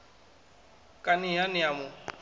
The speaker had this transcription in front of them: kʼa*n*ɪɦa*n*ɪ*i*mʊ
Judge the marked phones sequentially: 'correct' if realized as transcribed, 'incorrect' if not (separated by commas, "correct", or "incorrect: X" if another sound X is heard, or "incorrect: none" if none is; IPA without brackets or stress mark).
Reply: correct, correct, incorrect: a